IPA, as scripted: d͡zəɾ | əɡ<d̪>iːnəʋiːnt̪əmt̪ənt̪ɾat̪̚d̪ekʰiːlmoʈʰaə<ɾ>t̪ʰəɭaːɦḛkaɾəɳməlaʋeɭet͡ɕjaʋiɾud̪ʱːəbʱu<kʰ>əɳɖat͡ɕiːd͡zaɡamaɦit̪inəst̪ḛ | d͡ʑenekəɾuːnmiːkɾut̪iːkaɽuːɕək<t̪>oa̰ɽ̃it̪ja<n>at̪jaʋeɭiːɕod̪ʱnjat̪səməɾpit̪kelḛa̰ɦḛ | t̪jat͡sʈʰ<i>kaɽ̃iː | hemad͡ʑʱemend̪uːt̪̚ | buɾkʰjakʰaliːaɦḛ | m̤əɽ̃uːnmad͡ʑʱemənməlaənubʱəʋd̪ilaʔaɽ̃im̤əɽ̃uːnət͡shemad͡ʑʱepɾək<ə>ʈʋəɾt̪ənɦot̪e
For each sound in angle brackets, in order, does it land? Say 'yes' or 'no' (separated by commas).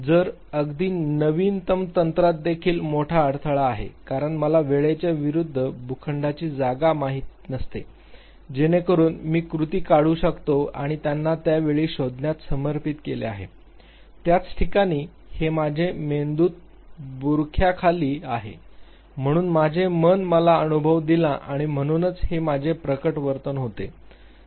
yes, no, yes, yes, no, yes, yes